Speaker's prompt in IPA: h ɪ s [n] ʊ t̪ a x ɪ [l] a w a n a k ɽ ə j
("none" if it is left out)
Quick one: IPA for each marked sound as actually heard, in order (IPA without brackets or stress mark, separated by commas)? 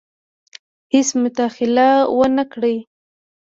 m, l